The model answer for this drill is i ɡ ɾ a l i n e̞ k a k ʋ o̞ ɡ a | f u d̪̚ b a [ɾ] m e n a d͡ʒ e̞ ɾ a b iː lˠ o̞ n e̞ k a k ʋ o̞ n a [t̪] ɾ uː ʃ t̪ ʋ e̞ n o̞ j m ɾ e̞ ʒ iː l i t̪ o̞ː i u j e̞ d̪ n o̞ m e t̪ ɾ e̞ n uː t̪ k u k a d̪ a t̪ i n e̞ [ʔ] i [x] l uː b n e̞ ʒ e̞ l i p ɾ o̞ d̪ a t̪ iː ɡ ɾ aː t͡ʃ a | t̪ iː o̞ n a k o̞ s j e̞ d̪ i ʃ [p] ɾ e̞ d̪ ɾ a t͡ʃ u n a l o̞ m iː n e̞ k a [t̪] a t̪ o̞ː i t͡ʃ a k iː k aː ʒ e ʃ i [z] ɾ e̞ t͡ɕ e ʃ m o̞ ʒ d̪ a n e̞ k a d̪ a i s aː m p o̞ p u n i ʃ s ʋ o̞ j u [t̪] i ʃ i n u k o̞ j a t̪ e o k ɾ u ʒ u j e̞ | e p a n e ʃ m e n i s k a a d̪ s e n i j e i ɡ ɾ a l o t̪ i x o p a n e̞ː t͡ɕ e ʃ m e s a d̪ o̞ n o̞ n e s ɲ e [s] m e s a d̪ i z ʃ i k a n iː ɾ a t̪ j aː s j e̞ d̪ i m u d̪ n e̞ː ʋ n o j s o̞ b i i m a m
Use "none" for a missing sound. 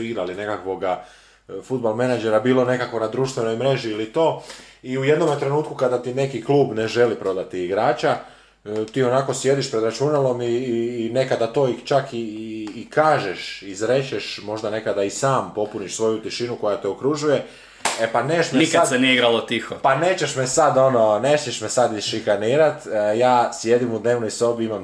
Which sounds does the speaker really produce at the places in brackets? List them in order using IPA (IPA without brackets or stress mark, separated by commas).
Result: l, d̪, k, k, p, d̪, z, t̪, ʃ